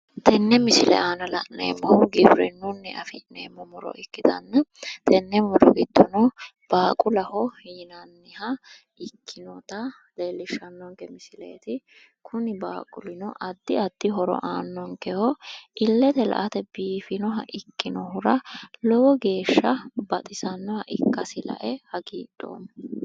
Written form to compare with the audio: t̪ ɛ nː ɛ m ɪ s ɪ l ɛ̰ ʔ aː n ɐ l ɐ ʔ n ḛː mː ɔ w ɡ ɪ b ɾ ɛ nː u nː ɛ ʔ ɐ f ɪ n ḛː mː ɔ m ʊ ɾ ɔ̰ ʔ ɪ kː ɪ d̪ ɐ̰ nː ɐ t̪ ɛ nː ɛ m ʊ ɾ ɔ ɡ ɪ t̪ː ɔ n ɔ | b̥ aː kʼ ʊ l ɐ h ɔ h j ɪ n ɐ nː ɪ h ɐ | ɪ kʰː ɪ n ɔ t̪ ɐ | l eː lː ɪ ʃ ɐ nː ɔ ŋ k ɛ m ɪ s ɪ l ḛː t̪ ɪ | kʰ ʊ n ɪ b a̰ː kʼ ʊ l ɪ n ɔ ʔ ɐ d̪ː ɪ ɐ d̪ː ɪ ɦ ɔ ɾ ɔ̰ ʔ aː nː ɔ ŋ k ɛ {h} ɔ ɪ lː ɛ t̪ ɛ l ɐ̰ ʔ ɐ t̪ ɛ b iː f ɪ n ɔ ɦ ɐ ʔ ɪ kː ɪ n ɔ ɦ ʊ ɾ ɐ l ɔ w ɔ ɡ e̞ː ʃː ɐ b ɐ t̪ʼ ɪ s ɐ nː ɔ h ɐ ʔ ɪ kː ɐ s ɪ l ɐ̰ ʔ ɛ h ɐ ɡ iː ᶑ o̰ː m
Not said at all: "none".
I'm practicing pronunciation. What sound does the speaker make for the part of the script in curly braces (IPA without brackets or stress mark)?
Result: h